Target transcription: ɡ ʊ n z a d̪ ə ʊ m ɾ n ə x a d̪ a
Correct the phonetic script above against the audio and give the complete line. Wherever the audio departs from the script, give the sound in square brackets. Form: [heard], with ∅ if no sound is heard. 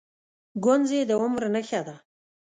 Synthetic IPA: ɡ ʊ n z [e] d̪ ə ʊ m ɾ n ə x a d̪ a

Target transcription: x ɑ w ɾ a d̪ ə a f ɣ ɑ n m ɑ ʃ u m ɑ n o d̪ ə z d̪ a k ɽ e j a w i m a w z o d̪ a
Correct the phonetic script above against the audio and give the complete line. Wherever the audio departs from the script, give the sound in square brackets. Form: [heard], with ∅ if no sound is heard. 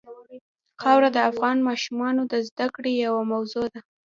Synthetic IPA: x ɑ w ɾ a d̪ ə a f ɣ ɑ n m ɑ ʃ u m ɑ n o d̪ ə z d̪ a k ɽ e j a w [a] m a w z o d̪ a

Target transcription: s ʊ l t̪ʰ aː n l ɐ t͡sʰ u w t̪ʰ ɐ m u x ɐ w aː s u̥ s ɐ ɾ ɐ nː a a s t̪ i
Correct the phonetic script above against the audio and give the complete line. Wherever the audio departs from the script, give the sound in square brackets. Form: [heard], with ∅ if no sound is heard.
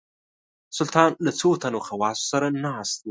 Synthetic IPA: s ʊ l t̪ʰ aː n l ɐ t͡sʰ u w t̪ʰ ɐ [n] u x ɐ w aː s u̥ s ɐ ɾ ɐ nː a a s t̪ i

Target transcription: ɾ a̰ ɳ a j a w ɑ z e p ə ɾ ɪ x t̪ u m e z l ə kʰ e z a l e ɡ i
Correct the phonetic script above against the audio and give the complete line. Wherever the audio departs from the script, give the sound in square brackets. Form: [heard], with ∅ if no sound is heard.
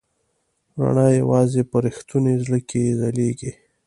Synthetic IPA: ɾ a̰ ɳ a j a w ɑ z e p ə ɾ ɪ x t̪ u [n] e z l ə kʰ e z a l e ɡ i

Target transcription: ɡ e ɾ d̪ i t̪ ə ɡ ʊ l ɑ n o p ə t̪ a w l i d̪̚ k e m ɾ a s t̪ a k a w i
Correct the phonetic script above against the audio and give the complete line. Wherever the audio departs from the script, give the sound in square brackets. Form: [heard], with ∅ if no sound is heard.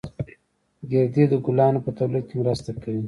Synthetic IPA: ɡ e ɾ d̪ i [d̪] ə ɡ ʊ l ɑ n o p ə t̪ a w l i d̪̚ k e m ɾ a s t̪ a k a w i

